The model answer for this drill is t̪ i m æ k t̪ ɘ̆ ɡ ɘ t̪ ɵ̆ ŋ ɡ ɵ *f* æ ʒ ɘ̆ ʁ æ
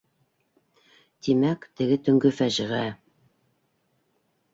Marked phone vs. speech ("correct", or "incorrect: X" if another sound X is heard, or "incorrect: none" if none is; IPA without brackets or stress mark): correct